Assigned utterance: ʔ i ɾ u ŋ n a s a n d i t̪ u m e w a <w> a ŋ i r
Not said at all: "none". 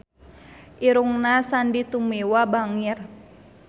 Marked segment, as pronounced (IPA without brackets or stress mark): b